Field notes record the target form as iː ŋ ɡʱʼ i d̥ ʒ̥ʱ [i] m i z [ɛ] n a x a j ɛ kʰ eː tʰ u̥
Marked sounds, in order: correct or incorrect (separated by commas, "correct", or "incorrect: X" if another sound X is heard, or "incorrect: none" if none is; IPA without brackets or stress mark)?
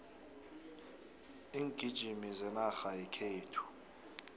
correct, correct